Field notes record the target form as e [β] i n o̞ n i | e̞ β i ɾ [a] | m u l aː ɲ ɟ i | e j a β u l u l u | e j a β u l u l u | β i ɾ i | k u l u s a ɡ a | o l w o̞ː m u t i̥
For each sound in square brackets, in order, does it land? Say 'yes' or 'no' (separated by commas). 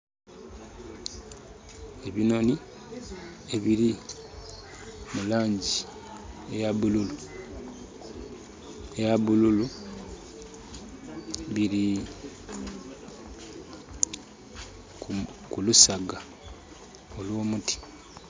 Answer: yes, no